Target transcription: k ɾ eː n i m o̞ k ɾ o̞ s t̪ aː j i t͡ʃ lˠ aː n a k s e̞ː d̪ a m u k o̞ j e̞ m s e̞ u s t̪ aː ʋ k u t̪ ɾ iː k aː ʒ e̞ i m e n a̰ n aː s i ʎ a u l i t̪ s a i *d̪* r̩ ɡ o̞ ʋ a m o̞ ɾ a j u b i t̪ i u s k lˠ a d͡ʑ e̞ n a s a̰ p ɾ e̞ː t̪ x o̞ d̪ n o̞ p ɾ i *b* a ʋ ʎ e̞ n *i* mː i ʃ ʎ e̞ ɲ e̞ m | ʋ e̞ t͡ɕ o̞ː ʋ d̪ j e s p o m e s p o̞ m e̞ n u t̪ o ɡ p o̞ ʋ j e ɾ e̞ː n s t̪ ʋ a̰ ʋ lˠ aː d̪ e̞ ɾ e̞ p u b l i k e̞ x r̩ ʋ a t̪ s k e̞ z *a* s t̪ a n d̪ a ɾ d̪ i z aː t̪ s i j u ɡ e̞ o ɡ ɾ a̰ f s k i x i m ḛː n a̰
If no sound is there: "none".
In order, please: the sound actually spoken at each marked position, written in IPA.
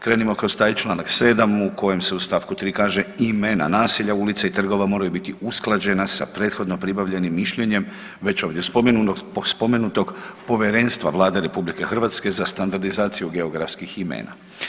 t̪, b, i, a

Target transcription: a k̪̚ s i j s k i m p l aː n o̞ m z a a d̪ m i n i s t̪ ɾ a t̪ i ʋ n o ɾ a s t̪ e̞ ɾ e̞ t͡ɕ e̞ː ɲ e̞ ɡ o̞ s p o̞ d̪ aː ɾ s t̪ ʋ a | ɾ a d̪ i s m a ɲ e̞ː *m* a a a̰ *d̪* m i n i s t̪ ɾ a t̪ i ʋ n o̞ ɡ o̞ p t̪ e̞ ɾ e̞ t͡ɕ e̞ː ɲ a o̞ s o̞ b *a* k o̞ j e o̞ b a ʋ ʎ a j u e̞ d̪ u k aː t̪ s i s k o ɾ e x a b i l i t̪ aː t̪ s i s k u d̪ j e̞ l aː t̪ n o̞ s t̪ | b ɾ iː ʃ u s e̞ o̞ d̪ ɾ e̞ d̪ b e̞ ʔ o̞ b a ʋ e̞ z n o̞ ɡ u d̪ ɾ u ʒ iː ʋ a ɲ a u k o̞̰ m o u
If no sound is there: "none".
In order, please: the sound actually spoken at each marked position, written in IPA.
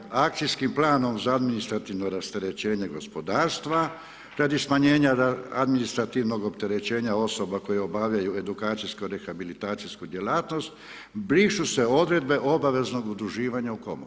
ɲ, d̪, a

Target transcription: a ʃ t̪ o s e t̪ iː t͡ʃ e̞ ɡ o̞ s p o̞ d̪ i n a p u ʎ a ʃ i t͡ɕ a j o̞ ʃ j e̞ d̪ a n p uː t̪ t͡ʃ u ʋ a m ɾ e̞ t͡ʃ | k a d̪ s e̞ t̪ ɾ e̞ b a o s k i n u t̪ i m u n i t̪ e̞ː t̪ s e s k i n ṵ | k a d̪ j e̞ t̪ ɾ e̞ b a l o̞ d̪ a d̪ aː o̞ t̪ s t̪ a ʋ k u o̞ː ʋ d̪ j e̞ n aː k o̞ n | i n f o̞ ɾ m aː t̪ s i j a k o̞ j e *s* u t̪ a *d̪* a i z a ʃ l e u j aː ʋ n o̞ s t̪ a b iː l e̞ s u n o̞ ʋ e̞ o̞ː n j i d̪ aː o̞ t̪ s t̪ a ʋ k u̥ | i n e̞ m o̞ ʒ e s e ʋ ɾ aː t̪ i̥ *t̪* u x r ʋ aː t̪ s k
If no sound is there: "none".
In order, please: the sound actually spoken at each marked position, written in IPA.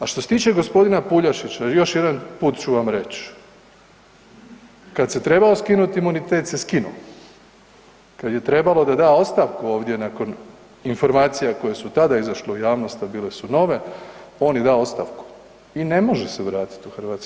s, d̪, t̪

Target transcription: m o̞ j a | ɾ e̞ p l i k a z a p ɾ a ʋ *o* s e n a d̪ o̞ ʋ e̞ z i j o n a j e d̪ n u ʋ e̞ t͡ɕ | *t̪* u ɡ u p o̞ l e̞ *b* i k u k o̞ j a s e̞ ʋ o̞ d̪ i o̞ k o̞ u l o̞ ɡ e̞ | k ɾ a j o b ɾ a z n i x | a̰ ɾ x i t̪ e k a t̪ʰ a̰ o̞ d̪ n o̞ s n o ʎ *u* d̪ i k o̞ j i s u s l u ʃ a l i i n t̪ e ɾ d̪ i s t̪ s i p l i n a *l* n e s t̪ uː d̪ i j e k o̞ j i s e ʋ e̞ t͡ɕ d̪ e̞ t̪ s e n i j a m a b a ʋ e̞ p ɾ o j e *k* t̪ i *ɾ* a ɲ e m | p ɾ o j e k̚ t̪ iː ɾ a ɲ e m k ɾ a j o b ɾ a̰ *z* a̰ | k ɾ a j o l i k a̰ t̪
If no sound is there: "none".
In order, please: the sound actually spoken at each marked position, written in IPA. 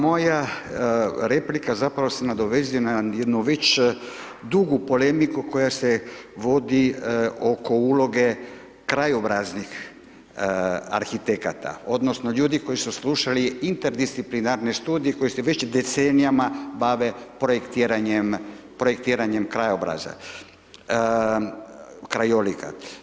o, d̪, m, uː, ɾ, k, ɾ, z

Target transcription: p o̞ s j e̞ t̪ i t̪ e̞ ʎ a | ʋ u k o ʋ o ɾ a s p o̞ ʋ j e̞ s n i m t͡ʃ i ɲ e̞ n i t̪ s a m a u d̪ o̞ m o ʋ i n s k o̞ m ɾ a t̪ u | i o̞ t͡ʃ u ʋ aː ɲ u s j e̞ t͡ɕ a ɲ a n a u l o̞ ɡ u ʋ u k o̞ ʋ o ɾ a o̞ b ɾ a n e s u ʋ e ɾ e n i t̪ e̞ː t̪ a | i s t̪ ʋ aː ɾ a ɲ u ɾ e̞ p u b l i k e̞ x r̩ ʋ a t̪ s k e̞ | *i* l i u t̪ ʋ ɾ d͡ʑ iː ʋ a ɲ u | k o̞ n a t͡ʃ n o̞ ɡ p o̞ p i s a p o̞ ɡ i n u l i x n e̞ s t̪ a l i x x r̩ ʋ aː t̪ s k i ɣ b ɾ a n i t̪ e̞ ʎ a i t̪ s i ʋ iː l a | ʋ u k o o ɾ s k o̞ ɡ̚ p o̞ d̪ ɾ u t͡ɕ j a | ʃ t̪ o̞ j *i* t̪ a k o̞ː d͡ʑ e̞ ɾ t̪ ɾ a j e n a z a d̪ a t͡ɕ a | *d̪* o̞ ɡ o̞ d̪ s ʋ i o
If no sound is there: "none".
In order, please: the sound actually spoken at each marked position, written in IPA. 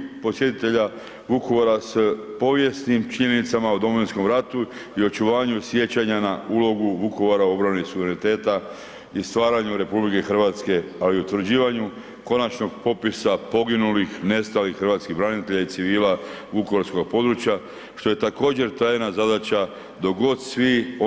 a, e, d̪

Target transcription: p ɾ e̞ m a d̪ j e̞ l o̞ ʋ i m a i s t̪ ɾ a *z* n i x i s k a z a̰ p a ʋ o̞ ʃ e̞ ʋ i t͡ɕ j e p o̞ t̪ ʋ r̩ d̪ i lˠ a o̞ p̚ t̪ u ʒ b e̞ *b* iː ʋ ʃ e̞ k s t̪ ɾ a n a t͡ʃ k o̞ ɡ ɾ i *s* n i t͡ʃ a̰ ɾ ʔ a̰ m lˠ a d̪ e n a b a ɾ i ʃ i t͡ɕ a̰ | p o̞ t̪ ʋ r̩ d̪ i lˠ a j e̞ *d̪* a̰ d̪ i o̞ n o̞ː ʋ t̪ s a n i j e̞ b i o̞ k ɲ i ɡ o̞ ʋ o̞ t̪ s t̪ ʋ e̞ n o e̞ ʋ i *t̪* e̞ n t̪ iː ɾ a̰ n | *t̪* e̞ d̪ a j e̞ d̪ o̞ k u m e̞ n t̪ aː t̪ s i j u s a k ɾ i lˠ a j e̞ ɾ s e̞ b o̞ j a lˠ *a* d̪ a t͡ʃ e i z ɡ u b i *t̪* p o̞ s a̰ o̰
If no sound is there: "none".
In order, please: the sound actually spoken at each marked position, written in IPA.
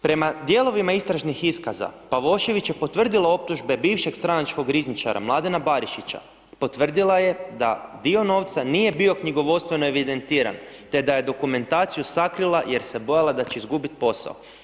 ʒ, b, z, d̪, d̪, t̪, a, t̪

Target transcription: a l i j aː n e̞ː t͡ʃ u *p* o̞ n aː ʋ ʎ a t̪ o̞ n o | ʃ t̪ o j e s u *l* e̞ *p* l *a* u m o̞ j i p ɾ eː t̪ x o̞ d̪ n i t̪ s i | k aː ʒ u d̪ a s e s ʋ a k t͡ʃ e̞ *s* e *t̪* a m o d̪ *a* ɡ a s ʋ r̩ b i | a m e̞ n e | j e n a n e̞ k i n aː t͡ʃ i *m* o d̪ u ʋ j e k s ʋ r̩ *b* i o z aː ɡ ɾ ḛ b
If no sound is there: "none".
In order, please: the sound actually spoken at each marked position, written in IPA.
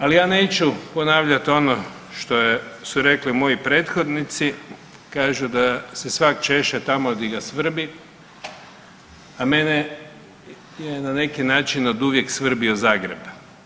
p, ɾ, k, i, ʃ, t̪, i, n, b

